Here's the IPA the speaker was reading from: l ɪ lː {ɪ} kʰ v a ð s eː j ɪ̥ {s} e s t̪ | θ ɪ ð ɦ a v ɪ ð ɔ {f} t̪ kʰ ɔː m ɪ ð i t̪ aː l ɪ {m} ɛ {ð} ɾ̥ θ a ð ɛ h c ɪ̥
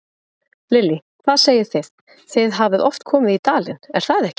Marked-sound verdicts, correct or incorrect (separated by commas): incorrect, incorrect, correct, incorrect, incorrect